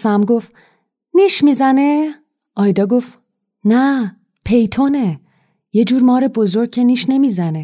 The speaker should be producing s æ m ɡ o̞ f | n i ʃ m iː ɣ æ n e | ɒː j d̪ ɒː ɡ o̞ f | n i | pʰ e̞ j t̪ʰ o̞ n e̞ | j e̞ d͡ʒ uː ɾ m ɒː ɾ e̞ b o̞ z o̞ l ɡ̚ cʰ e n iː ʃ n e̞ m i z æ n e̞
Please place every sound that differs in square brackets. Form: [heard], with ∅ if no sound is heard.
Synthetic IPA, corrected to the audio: s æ m ɡ o̞ f | n i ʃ m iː [z] æ n e | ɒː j d̪ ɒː ɡ o̞ f | n [æ] | pʰ e̞ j t̪ʰ o̞ n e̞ | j e̞ d͡ʒ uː ɾ m ɒː ɾ e̞ b o̞ z o̞ [ɾ] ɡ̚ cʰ e n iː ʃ n e̞ m i z æ n e̞